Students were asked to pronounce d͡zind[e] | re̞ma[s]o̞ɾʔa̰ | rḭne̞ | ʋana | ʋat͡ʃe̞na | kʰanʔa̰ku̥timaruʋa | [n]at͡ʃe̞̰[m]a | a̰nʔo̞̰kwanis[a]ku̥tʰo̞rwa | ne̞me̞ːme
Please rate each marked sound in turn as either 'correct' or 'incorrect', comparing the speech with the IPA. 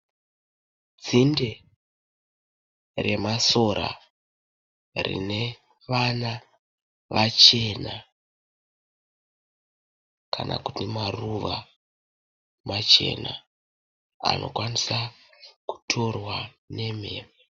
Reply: correct, correct, incorrect: m, incorrect: n, correct

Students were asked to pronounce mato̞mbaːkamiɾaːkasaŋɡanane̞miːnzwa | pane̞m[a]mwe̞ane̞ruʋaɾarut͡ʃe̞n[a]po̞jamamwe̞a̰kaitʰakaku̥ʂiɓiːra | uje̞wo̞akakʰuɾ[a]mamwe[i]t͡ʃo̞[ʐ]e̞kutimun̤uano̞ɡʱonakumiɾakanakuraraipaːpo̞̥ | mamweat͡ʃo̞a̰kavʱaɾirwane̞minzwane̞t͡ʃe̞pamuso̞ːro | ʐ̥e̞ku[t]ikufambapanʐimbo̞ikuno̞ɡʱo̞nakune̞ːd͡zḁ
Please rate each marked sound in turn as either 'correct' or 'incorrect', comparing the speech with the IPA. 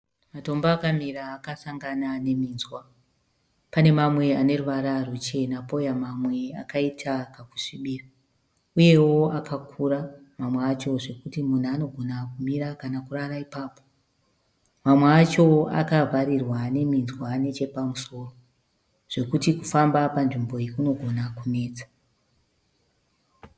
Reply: correct, correct, correct, incorrect: a, correct, correct

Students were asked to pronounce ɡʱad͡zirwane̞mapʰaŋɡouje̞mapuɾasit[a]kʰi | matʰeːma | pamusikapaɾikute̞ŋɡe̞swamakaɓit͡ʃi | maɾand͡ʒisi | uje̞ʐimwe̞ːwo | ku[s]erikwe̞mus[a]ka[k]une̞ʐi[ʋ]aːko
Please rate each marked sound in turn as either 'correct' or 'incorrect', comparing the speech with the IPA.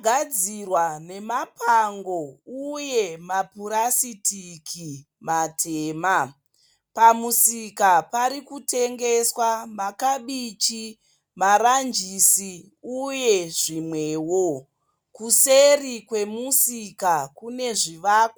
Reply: incorrect: i, correct, incorrect: i, correct, correct

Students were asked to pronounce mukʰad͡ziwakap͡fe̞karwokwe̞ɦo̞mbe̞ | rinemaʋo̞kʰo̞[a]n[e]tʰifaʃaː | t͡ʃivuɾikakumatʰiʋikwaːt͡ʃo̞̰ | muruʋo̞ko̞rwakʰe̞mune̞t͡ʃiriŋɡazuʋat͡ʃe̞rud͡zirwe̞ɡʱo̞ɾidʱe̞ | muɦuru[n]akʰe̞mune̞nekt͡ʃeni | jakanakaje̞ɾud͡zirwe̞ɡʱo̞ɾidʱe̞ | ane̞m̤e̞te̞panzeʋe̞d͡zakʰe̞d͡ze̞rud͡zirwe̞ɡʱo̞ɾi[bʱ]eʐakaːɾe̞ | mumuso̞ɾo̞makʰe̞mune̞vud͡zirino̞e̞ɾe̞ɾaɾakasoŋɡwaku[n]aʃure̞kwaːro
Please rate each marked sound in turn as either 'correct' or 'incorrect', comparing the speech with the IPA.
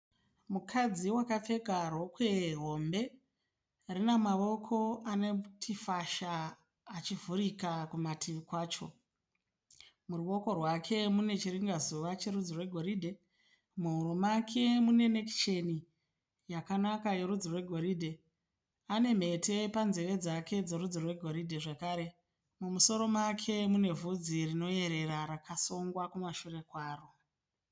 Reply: correct, correct, incorrect: m, incorrect: dʱ, incorrect: m

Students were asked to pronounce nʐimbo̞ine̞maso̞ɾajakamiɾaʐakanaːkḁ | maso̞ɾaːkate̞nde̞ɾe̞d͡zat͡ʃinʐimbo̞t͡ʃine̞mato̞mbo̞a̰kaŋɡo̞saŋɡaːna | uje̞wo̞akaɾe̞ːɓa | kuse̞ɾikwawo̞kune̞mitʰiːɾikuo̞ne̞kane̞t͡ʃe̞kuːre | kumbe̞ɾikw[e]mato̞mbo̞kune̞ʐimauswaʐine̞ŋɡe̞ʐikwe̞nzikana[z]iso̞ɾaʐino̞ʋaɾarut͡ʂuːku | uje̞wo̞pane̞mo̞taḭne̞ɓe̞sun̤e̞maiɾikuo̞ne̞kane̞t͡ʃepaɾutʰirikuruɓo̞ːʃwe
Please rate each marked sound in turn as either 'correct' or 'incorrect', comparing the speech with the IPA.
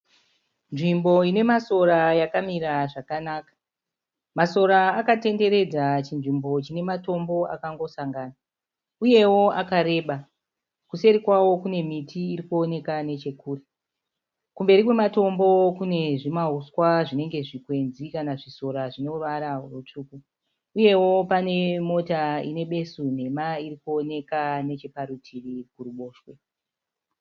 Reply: correct, incorrect: ʐ

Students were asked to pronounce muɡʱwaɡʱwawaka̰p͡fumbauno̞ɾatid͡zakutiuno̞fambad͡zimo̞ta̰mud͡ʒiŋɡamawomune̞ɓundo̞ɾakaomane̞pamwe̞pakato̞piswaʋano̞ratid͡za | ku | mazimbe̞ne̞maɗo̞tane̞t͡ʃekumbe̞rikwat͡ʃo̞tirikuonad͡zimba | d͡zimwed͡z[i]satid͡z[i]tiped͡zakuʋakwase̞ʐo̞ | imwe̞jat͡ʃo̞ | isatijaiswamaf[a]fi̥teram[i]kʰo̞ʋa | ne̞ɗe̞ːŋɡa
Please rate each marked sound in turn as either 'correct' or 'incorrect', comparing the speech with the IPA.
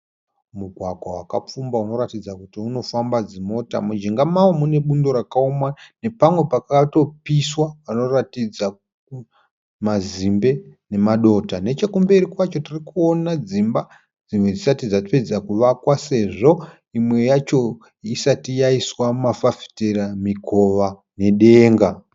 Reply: correct, incorrect: a, correct, correct

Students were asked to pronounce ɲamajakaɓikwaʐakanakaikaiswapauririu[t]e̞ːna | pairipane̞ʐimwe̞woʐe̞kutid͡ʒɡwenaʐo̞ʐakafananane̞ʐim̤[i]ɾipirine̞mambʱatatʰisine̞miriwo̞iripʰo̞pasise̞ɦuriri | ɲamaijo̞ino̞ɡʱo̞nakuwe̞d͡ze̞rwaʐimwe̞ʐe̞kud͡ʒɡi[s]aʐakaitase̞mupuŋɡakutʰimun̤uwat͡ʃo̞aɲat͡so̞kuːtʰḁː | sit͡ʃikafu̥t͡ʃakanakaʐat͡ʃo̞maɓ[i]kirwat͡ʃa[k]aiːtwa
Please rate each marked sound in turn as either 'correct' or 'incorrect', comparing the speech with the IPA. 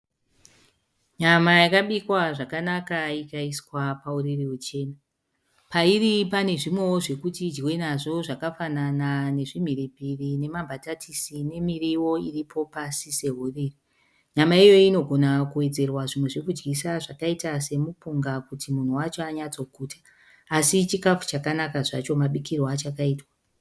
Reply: incorrect: t͡ʃ, correct, correct, correct, correct

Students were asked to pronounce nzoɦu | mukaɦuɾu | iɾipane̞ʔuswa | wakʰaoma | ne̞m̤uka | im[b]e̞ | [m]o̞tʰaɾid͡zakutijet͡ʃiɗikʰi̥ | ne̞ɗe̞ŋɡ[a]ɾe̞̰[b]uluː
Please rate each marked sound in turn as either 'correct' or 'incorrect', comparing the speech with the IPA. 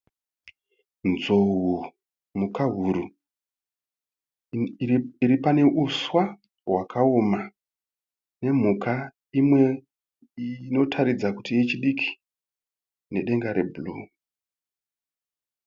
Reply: incorrect: w, incorrect: n, correct, correct

